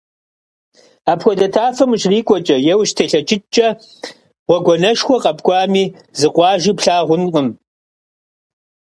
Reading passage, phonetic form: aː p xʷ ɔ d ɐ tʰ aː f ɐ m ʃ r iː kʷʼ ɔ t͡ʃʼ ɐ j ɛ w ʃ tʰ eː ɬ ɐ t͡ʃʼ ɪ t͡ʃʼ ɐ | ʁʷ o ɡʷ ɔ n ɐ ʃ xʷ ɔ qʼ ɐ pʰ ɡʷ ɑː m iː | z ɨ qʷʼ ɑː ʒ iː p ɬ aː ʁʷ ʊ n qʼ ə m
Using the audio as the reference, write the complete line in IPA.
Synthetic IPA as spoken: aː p xʷ ɔ d ɐ tʰ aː f ɐ m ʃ r iː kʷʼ ɔ t͡ʃʼ ɐ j ɛ w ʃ tʰ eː ɬ ɐ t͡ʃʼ ɪ t͡ʃʼ ɐ | ʁʷ ɔ ɡʷ ɔ n ɐ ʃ xʷ ɔ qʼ ɐ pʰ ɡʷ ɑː m iː | z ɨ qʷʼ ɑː ʒ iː p ɬ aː ʁʷ ʊ n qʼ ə m